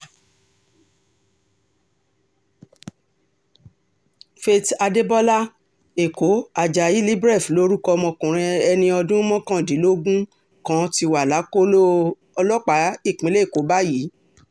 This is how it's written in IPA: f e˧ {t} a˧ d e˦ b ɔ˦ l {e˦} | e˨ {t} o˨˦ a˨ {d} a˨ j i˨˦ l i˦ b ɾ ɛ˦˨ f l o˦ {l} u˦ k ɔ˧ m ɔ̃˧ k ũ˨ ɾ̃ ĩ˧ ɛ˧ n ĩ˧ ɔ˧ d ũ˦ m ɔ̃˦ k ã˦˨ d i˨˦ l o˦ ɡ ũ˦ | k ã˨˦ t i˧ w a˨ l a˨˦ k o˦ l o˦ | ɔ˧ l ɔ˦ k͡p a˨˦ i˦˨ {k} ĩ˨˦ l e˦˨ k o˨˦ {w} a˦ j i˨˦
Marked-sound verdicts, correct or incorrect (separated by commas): correct, incorrect, incorrect, incorrect, incorrect, incorrect, incorrect